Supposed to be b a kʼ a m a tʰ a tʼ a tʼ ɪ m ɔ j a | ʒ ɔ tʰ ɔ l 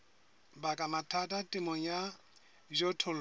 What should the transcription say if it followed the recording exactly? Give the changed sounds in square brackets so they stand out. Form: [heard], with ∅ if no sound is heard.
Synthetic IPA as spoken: b a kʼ a m a tʰ a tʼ a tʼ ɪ m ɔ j a | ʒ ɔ tʰ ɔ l